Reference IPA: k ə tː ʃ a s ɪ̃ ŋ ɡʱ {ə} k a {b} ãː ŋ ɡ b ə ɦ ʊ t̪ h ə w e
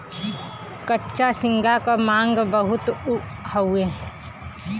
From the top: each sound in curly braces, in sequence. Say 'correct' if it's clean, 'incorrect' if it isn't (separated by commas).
incorrect, incorrect